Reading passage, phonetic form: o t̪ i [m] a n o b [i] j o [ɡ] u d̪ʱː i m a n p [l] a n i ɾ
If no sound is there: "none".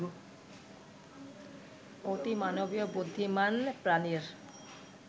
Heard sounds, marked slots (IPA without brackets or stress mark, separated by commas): m, i, b, ɾ